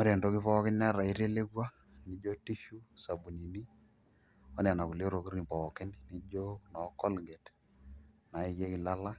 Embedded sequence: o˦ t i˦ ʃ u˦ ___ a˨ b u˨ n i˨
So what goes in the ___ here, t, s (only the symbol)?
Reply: s